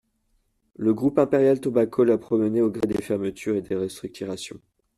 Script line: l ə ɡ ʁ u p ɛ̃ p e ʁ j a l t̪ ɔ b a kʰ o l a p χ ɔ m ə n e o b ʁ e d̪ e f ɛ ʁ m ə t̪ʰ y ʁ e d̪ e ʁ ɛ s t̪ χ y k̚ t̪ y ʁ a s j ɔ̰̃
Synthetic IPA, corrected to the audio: l ə ɡ ʁ u p ɛ̃ p e ʁ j a l t̪ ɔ b a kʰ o l a p χ ɔ m ə n e o ɡ ʁ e d̪ e f ɛ ʁ m ə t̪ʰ y ʁ e d̪ e ʁ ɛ s t̪ χ y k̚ t̪ y ʁ a s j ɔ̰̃